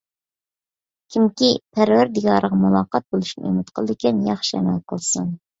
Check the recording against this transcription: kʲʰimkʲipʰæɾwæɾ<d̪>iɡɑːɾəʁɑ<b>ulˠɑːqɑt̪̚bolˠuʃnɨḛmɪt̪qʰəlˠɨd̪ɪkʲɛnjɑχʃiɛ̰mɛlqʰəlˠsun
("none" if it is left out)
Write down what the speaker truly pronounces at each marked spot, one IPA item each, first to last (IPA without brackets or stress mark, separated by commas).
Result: d̪, m